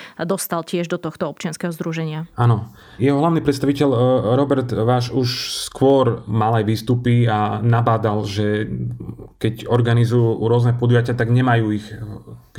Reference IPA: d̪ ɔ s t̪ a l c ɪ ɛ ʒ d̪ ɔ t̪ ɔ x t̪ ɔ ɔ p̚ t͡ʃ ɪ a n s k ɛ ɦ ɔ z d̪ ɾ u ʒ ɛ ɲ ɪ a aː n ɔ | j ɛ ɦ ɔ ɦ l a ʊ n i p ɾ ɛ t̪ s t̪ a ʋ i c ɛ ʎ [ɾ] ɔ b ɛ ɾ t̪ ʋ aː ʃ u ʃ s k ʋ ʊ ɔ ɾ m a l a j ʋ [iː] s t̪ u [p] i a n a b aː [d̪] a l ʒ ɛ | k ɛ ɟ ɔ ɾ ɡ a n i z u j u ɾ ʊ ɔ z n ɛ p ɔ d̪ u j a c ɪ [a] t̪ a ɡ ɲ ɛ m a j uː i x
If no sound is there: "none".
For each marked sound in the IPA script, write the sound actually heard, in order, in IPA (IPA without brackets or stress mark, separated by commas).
ɾ, iː, p, d̪, a